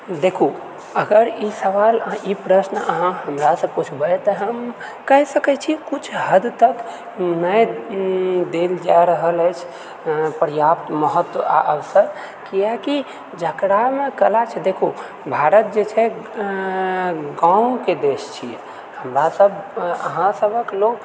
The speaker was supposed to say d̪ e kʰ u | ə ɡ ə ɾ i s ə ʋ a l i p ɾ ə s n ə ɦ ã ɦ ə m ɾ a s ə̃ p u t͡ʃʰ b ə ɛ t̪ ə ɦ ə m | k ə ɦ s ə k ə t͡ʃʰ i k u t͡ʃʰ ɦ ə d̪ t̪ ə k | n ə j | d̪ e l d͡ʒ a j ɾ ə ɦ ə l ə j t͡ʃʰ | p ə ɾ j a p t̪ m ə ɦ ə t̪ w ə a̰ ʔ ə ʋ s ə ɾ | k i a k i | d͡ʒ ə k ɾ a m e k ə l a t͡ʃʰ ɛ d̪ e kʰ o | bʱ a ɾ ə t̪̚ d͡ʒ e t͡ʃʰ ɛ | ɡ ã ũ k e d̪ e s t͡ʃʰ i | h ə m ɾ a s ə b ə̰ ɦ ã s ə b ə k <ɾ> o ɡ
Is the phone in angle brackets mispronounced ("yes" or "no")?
yes